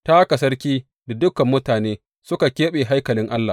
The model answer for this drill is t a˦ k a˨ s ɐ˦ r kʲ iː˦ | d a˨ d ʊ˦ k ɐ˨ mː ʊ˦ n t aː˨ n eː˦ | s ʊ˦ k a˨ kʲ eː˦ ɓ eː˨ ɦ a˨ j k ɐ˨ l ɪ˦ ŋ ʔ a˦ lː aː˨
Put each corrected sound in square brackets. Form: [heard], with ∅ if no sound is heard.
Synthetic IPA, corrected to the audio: t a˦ k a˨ s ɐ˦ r kʲ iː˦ | d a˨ d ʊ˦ k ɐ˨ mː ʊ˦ [∅] t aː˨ n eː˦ | s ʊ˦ k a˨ kʲ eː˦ ɓ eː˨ ɦ [a˦] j k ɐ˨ l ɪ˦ ŋ ʔ a˦ lː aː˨